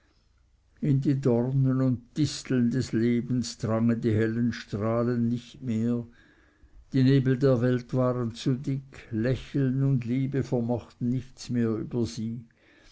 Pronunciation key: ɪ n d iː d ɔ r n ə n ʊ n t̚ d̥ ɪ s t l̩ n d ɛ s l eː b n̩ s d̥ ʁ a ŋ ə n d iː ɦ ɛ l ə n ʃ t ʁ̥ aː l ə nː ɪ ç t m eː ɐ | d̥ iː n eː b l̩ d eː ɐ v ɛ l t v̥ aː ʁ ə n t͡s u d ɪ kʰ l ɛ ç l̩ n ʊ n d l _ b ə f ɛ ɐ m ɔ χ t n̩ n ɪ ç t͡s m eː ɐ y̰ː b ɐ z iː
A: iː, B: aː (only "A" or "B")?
A